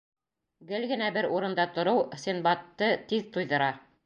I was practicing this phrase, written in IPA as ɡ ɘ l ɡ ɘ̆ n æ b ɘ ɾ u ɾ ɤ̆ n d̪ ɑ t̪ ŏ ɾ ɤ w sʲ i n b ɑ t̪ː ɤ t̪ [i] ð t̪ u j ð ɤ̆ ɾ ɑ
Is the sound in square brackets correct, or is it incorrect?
correct